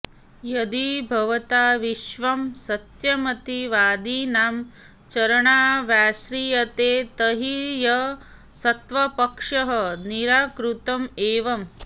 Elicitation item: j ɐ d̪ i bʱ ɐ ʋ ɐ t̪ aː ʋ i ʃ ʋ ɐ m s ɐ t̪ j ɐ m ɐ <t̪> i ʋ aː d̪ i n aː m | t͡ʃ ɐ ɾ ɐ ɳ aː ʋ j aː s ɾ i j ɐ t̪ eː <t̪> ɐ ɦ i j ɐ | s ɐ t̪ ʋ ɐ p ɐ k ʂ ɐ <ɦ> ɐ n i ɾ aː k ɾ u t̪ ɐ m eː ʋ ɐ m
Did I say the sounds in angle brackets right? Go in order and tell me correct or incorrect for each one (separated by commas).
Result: correct, correct, correct